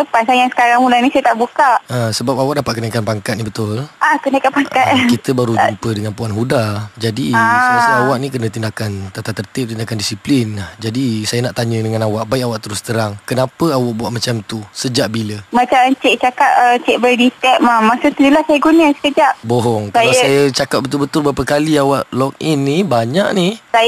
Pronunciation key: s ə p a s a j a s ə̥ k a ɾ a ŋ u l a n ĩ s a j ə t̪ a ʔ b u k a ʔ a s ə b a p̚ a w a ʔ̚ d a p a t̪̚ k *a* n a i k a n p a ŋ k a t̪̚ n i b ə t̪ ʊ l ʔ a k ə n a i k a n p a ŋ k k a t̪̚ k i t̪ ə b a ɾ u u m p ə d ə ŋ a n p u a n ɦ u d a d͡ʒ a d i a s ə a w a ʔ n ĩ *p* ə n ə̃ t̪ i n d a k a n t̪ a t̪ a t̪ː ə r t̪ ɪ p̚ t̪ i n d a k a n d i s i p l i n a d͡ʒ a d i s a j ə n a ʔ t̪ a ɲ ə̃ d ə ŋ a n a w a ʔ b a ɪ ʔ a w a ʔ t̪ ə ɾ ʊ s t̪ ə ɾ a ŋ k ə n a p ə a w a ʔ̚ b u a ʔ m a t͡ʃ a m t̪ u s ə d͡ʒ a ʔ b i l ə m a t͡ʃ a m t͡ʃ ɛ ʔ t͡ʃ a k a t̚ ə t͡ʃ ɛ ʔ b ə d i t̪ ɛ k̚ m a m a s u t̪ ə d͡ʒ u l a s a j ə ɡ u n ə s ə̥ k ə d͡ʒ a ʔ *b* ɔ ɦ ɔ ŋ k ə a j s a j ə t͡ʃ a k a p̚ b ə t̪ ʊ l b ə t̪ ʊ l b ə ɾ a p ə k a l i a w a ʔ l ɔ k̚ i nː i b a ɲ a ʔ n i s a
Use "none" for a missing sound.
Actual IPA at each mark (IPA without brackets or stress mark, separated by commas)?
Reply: ə, k, b